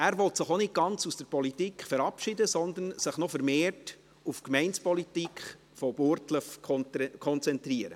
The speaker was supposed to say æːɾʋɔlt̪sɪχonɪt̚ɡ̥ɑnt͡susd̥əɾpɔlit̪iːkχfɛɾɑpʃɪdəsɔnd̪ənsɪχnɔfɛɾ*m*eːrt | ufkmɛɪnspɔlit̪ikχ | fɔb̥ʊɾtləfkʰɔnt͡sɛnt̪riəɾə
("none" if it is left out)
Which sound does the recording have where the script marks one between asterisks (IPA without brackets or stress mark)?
m